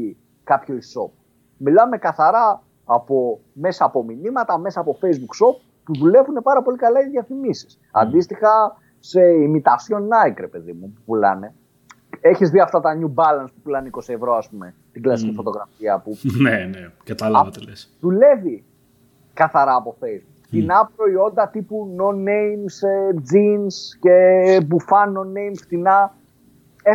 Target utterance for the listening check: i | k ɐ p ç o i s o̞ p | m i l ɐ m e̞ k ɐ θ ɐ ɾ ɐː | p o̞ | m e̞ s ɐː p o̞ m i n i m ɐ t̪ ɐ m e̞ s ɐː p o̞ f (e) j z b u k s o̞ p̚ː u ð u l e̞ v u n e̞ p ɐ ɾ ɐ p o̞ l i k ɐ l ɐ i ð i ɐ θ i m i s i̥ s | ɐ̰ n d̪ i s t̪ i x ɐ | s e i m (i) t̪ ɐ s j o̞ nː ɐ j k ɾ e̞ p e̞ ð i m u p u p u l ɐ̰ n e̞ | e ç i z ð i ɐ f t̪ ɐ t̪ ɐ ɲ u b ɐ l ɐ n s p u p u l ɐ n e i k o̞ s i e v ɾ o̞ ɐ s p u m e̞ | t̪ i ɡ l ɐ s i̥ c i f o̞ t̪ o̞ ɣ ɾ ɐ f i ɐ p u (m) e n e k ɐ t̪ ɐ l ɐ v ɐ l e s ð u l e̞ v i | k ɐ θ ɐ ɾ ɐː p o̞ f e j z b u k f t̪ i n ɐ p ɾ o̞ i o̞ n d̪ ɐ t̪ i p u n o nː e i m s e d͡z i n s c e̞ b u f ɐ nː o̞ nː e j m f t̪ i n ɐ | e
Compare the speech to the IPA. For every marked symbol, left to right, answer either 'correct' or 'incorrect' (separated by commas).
correct, correct, incorrect